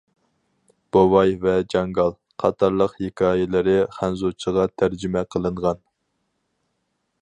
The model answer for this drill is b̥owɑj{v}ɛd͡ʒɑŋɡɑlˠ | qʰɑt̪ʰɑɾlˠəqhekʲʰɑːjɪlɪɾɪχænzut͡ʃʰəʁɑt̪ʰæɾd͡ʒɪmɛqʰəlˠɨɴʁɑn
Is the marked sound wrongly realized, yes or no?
no